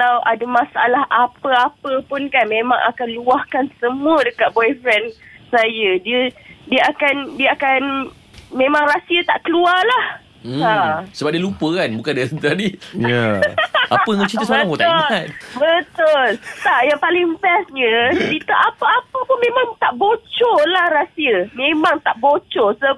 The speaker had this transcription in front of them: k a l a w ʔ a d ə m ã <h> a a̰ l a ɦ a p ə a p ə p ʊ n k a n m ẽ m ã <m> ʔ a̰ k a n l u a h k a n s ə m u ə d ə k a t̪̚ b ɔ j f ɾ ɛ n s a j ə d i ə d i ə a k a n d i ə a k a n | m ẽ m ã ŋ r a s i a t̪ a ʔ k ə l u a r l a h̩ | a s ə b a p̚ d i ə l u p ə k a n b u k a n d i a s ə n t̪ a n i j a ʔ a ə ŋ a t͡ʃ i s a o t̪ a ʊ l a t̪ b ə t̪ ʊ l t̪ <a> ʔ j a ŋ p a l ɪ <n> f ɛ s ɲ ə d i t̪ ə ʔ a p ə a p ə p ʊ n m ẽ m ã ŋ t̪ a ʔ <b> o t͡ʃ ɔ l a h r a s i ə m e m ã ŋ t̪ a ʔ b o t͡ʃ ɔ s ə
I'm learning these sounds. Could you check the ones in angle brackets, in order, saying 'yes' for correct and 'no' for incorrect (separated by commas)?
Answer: no, no, yes, no, yes